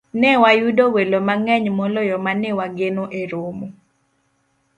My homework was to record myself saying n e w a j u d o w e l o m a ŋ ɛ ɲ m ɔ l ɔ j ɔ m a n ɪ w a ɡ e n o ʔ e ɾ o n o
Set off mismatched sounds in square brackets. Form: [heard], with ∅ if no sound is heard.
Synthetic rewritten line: n [ɛ] w a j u d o w e l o m a ŋ ɛ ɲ m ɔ l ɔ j ɔ m a n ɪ w a ɡ e n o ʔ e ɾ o [m] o